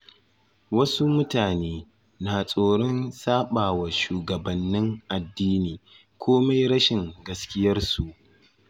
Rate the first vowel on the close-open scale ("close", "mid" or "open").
open